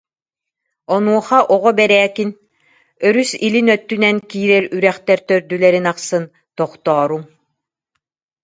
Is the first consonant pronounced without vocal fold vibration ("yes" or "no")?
no